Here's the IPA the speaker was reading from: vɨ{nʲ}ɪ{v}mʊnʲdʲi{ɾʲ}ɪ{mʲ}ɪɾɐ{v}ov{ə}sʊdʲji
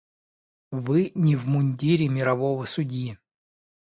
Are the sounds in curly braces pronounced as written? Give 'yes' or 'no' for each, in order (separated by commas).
yes, yes, yes, yes, yes, yes